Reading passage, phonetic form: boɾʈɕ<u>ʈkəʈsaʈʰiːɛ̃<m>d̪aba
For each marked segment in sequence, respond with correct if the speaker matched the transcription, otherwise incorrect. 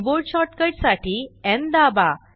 incorrect: ɔ, incorrect: n

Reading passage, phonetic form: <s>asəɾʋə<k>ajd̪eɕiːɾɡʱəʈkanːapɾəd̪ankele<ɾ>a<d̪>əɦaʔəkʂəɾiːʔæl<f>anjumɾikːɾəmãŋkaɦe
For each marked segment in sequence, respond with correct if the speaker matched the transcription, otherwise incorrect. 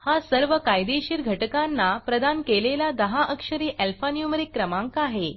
incorrect: h, correct, incorrect: l, correct, correct

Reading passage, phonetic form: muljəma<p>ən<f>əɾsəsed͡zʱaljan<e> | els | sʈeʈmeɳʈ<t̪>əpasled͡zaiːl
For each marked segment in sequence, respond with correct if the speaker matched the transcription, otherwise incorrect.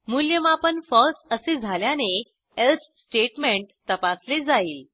correct, correct, correct, correct

